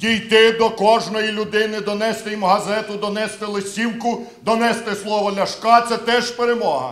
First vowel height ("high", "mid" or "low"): high